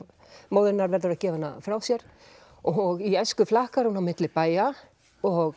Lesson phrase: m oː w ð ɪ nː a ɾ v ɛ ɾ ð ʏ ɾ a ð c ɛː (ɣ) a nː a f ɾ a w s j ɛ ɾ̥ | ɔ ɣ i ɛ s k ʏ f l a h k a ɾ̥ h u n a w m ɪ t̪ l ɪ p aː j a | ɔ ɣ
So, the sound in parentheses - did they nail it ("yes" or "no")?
no